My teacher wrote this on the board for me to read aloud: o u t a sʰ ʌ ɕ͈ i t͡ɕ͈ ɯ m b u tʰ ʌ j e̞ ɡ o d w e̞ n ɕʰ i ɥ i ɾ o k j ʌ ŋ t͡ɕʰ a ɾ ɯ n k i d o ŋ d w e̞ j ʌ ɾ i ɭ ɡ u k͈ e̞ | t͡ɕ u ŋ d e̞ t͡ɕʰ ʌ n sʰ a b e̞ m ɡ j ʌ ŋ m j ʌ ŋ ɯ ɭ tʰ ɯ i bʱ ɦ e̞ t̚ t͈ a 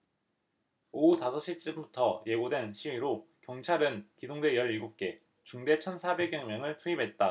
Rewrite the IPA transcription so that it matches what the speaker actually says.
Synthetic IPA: o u t a sʰ ʌ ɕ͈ i t͡ɕ͈ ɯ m b u tʰ ʌ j e̞ ɡ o d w e̞ n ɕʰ i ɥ i ɾ o k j ʌ ŋ t͡ɕʰ a ɾ ɯ n k i d o ŋ d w e̞ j ʌ ɾ i ɭ ɡ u k͈ e̞ | t͡ɕ u ŋ d e̞ t͡ɕʰ ʌ n sʰ a b e̞ ɡ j ʌ ŋ m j ʌ ŋ ɯ ɭ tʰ u i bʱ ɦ e̞ t̚ t͈ a